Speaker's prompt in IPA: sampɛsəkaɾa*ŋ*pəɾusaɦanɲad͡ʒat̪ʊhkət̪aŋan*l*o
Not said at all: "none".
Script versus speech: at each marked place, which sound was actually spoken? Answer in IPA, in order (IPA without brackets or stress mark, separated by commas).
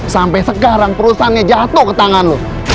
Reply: ŋ, l